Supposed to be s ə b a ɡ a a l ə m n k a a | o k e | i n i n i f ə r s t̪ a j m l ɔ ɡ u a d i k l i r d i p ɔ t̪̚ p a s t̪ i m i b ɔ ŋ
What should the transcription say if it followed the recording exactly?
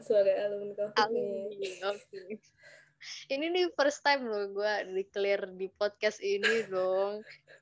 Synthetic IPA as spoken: s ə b a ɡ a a l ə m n k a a | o k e | i n i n i f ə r s t̪ a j m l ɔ ɡ u a d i k l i r d i p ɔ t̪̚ k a s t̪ i n i d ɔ ŋ